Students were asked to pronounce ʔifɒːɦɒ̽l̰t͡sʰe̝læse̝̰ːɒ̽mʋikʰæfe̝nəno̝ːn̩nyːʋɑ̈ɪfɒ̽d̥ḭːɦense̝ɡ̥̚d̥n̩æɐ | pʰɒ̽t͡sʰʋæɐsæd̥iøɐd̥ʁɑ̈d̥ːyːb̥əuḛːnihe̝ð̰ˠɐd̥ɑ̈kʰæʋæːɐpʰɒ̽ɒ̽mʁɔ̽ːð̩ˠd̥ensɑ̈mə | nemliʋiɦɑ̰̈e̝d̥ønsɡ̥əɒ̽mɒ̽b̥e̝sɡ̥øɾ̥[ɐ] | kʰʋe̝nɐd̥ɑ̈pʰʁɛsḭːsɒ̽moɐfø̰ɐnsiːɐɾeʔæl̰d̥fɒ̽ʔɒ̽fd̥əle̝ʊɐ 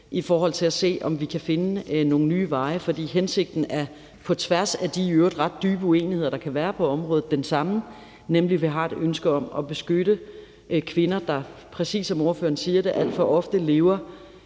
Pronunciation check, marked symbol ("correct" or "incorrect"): incorrect